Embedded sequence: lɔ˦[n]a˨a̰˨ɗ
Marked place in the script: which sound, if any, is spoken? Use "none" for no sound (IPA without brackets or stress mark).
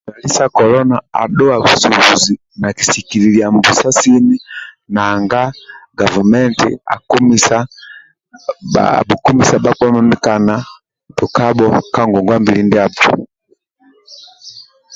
n